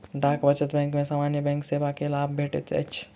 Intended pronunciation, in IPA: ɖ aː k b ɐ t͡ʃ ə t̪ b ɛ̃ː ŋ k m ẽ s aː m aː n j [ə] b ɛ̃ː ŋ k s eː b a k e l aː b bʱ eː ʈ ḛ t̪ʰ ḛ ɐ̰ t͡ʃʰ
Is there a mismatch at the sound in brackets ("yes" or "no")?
no